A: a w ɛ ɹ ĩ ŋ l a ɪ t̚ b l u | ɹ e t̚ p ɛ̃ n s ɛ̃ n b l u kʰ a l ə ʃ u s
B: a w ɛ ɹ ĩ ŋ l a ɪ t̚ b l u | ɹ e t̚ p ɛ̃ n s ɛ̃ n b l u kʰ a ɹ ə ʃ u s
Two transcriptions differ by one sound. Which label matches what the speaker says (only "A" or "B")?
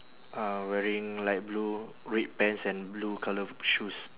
A